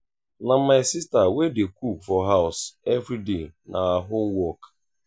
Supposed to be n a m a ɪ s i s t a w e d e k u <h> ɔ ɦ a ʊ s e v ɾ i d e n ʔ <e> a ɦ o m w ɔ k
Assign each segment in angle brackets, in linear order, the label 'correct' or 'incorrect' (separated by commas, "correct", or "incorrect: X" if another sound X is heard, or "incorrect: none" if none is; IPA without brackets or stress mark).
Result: incorrect: f, incorrect: a